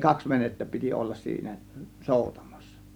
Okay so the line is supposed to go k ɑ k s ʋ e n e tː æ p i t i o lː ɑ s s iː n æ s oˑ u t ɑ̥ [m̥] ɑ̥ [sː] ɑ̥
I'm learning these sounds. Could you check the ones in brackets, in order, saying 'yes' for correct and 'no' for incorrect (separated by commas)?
yes, yes